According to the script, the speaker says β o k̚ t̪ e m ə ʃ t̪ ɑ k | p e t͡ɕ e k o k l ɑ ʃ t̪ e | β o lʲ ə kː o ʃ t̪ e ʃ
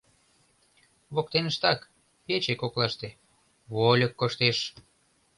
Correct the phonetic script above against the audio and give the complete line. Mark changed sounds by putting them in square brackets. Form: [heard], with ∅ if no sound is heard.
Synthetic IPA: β o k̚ t̪ e [n] ə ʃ t̪ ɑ k | p e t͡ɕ e k o k l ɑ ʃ t̪ e | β o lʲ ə kː o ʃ t̪ e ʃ